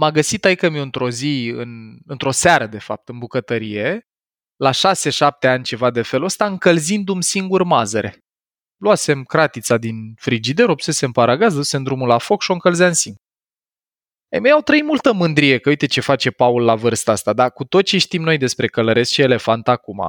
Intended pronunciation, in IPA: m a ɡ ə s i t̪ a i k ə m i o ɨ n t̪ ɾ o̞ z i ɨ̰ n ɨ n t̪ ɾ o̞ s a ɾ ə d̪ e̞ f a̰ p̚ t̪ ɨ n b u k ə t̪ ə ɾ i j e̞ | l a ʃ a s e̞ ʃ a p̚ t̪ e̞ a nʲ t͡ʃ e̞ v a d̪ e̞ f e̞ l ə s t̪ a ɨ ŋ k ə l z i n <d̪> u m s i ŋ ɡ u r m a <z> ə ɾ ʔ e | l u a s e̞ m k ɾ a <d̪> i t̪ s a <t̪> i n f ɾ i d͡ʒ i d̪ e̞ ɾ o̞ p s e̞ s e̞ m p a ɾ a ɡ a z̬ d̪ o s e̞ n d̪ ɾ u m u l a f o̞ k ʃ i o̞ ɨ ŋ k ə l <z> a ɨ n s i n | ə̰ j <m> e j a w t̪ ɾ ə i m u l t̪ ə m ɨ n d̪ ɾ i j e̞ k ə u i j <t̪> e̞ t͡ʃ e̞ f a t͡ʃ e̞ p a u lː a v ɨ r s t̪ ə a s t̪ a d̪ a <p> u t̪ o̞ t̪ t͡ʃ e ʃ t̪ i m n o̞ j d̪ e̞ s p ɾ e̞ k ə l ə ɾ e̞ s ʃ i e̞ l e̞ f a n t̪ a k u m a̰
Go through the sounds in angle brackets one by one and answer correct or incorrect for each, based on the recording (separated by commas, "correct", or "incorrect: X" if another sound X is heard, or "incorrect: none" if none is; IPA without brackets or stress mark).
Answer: correct, correct, incorrect: t̪, incorrect: d̪, correct, correct, correct, incorrect: k